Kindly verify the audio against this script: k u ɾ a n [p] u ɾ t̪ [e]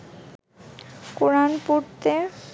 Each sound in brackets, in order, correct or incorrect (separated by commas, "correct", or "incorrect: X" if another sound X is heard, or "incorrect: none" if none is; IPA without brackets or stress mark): correct, correct